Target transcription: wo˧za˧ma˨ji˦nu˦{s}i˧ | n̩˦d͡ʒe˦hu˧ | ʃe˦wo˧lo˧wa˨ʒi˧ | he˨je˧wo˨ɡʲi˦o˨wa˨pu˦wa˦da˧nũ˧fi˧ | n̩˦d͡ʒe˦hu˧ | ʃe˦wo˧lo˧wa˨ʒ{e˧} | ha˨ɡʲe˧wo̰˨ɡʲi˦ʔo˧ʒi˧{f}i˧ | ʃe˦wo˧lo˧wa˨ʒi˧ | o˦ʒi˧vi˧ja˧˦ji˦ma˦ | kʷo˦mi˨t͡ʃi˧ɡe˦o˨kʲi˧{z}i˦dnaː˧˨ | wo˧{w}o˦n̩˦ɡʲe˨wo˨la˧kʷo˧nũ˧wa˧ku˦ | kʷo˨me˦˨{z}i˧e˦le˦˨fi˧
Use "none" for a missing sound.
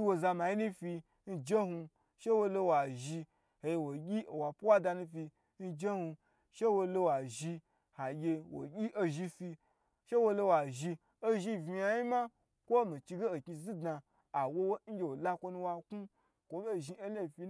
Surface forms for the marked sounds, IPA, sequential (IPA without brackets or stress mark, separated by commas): f, i˧, f, z, w, ʒ